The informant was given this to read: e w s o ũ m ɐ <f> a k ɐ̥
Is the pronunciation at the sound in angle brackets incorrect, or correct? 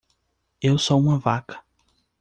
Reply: incorrect